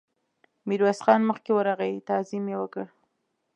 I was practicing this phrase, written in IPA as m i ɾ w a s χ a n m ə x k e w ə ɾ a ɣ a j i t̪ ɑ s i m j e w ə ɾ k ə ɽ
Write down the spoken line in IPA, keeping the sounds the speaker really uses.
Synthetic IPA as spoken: m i ɾ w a s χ ɑ n m ə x k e w ə ɾ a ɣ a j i t̪ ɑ z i m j e w ə k ə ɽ